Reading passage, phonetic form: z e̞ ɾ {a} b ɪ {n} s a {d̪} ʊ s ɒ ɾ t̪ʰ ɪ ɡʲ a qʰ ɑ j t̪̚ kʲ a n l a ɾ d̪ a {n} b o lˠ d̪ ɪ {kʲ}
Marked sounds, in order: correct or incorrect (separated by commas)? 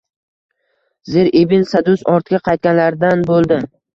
incorrect, correct, correct, correct, incorrect